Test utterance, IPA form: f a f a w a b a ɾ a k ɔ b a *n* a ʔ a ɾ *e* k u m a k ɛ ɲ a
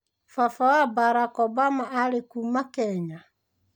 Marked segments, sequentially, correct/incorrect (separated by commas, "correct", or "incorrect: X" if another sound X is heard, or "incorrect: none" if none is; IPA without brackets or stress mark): incorrect: m, correct